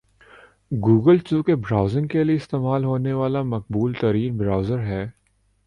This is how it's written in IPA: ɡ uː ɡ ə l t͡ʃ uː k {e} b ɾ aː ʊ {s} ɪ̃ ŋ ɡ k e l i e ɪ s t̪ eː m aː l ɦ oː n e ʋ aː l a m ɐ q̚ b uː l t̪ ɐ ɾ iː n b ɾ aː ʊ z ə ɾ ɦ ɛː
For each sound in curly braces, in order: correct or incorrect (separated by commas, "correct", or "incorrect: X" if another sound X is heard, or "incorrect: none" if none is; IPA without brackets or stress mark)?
correct, incorrect: z